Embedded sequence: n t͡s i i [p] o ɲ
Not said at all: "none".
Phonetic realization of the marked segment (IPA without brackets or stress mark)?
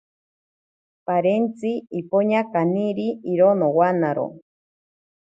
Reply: p